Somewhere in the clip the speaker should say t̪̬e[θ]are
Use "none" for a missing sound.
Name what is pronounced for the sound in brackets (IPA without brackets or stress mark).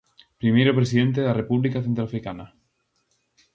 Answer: ð